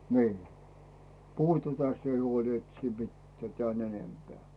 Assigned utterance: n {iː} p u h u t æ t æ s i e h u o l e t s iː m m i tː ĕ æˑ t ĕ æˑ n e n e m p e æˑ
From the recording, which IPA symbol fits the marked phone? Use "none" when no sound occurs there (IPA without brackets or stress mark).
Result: iː